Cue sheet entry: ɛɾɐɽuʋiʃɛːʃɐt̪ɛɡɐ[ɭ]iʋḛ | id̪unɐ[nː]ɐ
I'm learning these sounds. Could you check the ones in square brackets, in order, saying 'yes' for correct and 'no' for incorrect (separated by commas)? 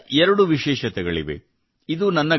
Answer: yes, yes